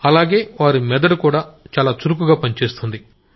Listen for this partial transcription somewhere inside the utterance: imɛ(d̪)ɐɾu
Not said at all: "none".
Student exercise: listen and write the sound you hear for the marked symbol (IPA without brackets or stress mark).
d̪